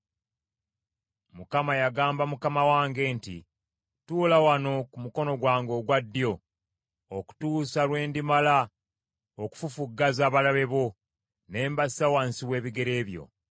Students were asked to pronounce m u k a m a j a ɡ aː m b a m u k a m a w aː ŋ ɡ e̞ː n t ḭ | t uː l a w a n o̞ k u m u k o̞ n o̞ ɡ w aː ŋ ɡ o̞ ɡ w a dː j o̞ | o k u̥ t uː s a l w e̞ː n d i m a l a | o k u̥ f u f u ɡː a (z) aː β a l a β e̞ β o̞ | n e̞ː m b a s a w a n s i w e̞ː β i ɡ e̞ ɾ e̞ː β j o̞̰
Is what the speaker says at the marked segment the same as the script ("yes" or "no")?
yes